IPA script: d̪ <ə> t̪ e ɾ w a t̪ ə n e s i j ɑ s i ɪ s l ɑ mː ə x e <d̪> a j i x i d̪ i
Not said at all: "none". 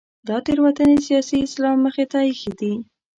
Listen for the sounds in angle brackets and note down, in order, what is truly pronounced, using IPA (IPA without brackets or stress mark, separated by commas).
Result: ɑ, t̪